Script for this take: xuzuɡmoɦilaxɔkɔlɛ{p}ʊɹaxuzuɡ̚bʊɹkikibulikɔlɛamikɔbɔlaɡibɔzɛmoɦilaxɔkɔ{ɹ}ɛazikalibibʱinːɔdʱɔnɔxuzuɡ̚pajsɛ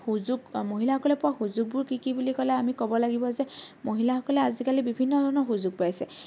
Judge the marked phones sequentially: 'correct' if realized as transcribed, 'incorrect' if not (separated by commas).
correct, incorrect